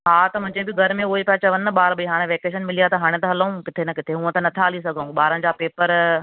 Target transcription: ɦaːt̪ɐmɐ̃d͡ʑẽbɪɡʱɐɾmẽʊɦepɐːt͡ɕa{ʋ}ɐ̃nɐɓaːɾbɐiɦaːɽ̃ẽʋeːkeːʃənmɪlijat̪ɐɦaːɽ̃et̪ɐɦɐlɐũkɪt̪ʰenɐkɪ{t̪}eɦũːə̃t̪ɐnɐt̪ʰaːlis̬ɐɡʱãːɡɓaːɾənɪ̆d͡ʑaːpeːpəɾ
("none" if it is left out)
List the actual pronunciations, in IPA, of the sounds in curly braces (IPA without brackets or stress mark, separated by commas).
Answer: ʋ, t̪ʰ